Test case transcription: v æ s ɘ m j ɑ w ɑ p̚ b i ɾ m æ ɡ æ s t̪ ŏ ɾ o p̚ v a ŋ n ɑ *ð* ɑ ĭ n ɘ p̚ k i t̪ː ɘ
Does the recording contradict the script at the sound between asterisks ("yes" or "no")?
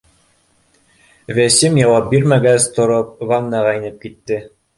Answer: yes